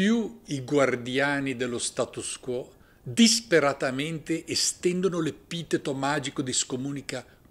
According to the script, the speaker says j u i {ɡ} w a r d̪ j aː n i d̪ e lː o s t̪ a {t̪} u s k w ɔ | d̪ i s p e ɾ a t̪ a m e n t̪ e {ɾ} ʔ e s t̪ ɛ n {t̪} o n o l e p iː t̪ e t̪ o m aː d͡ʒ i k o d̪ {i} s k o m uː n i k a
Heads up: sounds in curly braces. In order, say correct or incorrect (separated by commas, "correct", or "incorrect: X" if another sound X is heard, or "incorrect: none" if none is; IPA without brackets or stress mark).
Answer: correct, correct, incorrect: none, incorrect: d̪, correct